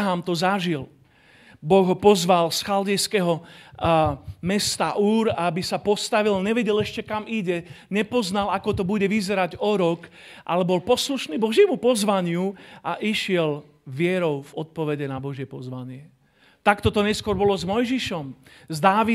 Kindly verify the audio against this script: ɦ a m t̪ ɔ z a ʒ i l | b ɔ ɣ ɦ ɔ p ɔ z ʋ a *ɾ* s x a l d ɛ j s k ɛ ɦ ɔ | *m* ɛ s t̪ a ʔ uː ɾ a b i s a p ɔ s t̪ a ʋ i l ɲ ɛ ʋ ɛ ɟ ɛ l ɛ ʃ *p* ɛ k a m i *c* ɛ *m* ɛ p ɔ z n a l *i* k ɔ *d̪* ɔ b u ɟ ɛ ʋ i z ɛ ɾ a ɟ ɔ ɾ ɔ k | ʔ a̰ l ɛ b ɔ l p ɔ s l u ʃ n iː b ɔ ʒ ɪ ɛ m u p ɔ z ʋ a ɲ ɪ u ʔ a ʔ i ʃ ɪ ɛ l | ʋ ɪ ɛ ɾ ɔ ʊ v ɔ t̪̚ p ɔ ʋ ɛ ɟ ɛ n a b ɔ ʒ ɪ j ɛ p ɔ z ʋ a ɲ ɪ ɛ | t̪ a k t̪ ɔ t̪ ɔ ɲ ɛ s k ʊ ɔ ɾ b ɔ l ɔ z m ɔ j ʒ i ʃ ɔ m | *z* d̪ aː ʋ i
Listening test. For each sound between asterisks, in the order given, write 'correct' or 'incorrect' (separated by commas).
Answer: incorrect, correct, incorrect, incorrect, incorrect, incorrect, incorrect, correct